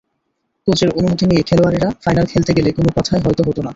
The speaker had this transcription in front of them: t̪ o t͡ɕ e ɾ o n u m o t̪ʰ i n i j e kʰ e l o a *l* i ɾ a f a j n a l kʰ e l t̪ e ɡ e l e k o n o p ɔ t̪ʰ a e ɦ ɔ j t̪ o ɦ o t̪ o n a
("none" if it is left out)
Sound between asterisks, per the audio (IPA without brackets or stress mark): ɾ